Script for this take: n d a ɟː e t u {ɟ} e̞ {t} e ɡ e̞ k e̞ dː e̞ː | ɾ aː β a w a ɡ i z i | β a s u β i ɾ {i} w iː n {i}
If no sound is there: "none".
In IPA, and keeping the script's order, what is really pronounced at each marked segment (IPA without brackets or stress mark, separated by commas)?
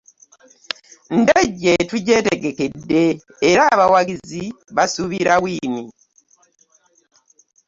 ɟ, t, a, i